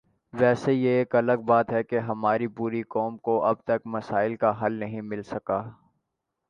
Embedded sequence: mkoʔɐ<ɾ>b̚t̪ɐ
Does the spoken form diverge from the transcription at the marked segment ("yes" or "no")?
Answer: yes